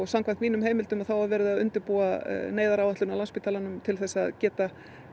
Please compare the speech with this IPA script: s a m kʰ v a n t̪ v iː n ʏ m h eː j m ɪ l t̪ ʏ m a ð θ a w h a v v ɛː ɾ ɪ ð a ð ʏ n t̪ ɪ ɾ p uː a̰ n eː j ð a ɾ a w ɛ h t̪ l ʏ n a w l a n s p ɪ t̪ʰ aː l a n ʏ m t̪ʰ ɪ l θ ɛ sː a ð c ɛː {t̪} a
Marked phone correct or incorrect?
correct